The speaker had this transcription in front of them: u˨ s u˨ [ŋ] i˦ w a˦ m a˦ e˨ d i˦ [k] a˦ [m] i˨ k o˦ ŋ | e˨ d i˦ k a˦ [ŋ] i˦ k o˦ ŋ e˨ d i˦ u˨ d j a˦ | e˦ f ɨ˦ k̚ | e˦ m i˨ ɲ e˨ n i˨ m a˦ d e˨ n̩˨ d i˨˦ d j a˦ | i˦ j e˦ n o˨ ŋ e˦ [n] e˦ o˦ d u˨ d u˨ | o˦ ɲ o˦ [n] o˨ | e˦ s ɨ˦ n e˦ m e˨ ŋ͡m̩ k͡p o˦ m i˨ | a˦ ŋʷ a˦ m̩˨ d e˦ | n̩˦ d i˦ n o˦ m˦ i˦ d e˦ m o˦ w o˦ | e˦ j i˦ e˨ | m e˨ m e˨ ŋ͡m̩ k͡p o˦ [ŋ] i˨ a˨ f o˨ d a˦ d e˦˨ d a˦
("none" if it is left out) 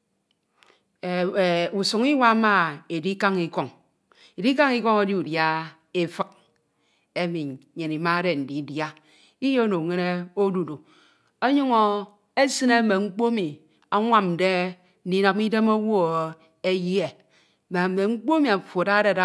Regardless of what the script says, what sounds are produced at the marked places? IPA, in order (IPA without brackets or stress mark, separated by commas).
ŋ, k, ŋ, ŋ, n, ŋ, m